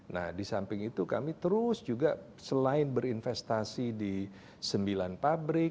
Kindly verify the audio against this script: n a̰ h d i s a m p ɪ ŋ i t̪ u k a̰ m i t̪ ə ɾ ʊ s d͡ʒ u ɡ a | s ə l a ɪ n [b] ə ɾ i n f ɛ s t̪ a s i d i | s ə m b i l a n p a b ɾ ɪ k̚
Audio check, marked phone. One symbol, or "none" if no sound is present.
b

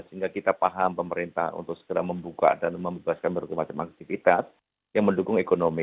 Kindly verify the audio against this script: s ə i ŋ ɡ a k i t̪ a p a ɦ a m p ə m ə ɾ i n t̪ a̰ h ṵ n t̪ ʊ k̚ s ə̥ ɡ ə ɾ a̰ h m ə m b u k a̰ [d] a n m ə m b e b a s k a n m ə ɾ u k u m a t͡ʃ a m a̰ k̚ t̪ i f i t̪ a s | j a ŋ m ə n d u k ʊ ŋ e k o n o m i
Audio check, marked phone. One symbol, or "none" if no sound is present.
d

